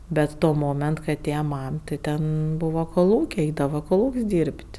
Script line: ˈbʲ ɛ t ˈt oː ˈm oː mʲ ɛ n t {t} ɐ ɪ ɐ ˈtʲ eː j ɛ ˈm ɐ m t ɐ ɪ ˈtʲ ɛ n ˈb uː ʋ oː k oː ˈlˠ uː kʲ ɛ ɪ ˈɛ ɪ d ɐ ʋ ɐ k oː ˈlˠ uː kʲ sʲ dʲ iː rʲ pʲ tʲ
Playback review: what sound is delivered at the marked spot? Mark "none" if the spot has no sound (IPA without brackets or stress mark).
k